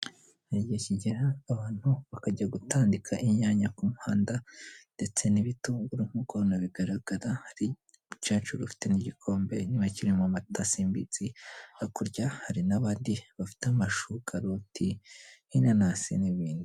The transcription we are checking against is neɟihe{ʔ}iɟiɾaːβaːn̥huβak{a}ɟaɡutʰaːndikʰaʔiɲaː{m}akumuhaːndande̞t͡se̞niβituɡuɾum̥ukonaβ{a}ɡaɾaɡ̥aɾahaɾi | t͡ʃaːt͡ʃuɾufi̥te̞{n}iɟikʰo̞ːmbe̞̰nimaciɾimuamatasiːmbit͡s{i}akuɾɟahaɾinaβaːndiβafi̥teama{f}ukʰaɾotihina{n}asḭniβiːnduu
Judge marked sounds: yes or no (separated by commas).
no, yes, no, no, yes, yes, no, yes